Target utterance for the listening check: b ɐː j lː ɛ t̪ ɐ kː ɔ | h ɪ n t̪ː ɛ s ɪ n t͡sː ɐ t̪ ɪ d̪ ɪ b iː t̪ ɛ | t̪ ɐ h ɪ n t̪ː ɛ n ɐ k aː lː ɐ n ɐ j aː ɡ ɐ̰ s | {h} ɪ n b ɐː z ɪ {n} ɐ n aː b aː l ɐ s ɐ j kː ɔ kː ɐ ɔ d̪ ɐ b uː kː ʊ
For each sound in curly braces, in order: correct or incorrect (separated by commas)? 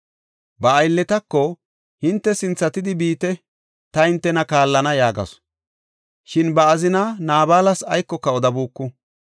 incorrect, correct